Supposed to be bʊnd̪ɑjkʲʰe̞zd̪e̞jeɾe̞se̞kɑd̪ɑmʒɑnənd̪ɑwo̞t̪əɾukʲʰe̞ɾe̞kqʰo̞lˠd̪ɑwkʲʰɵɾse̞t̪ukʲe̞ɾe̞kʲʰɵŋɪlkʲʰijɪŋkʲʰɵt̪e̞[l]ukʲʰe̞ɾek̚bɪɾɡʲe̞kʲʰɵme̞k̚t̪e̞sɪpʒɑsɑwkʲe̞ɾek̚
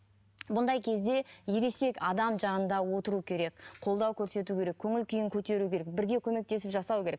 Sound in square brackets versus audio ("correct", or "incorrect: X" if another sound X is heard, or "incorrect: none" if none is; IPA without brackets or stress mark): incorrect: ɾ